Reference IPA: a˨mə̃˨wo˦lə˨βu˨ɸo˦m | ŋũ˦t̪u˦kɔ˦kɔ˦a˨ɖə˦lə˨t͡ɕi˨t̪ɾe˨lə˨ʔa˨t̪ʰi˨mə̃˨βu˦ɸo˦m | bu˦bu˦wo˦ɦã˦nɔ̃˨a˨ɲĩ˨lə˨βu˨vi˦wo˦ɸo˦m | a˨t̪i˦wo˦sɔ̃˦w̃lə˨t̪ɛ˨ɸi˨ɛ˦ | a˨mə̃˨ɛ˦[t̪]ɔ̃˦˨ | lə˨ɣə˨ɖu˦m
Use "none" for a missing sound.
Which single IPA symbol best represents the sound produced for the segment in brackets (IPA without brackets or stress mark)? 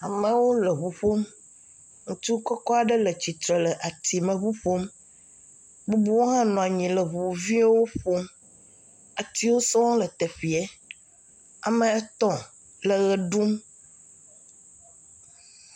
t̪